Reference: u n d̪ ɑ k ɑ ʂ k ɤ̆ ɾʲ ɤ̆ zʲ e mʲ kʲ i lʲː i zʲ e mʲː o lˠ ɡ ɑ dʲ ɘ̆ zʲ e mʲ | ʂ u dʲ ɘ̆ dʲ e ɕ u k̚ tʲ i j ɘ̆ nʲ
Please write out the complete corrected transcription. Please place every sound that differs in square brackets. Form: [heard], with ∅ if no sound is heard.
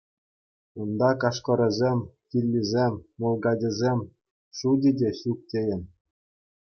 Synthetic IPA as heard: u n d̪ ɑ k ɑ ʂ k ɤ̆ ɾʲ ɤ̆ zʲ e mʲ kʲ i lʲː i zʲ e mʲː o lˠ ɡ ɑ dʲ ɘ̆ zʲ e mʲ | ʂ u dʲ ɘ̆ dʲ e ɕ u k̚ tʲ [e] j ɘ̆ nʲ